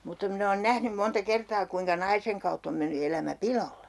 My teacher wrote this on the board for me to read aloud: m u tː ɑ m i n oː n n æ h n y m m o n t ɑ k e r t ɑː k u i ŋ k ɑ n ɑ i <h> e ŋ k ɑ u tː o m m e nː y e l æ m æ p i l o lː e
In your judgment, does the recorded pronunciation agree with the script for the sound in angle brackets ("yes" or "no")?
no